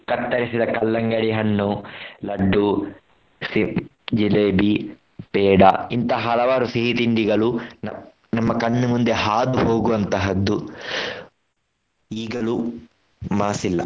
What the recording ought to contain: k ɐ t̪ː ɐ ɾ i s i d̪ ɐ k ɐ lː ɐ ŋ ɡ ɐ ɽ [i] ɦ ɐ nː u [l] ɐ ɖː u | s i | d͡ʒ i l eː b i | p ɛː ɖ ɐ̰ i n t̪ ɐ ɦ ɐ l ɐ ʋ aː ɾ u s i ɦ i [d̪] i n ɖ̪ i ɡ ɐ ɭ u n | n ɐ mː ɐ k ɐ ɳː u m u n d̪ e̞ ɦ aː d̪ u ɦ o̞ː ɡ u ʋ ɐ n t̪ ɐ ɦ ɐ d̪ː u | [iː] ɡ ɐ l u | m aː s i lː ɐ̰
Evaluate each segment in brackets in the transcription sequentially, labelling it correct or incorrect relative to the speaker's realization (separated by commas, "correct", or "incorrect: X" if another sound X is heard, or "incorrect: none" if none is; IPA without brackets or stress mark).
correct, correct, incorrect: t̪, correct